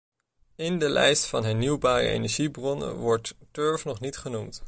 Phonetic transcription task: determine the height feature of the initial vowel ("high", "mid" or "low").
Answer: high